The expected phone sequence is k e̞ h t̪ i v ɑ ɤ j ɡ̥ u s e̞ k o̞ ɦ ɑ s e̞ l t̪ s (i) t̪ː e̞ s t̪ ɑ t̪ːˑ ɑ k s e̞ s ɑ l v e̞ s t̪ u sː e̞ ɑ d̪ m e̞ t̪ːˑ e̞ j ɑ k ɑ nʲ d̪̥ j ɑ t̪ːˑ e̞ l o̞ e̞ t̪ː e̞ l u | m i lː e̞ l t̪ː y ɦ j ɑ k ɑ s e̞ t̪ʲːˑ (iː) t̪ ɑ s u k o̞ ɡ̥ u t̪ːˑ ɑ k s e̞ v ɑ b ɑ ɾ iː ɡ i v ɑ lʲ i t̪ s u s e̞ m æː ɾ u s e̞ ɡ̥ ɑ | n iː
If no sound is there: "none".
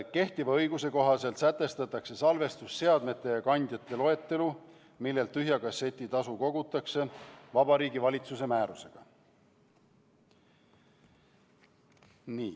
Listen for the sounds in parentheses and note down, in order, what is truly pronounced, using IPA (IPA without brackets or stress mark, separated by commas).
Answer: æ, i